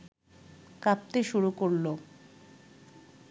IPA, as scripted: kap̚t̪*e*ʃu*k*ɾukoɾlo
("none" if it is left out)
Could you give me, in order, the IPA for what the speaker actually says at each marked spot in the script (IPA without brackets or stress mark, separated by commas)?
e, none